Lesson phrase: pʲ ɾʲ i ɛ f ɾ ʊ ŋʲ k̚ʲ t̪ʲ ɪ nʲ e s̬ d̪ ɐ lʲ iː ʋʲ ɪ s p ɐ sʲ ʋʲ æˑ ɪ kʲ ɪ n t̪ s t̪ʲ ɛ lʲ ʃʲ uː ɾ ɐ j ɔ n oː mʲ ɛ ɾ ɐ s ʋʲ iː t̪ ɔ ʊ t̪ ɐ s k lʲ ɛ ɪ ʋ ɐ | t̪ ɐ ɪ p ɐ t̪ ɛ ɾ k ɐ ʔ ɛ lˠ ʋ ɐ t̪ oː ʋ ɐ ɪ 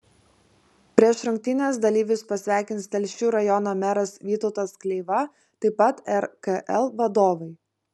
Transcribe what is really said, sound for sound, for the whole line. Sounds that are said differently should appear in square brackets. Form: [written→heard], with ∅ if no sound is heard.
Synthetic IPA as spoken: pʲ ɾʲ i ɛ [f→ʃ] ɾ ʊ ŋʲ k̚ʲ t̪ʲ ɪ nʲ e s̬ d̪ ɐ lʲ iː ʋʲ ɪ s p ɐ sʲ ʋʲ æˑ ɪ kʲ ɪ n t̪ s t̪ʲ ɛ lʲ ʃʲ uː ɾ ɐ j ɔ n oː mʲ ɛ ɾ ɐ s ʋʲ iː t̪ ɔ ʊ t̪ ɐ s k lʲ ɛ ɪ ʋ ɐ | t̪ ɐ ɪ p ɐ t̪ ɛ ɾ k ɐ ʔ ɛ lˠ ʋ ɐ [t̪→d̪] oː ʋ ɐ ɪ